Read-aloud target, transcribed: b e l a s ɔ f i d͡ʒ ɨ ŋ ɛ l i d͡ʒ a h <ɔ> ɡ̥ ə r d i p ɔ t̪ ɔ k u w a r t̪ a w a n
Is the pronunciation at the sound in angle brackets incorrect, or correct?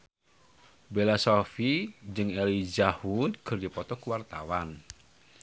incorrect